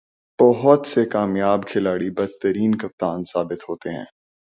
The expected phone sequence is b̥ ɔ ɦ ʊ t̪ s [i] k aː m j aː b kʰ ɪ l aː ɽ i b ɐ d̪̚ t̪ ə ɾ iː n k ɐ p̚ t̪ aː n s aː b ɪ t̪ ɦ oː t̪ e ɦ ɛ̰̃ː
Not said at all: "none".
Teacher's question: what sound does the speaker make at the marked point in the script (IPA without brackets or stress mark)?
e